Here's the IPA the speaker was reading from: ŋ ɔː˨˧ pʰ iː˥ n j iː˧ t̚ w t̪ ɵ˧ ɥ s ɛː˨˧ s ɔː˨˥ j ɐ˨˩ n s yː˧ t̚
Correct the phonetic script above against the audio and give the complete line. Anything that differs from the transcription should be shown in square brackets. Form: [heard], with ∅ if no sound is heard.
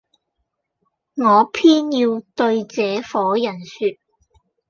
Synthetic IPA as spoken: ŋ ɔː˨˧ pʰ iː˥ n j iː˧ [∅] w t̪ ɵ˧ ɥ [t͡s] ɛː˨˧ [f] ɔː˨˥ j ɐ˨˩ n s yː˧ t̚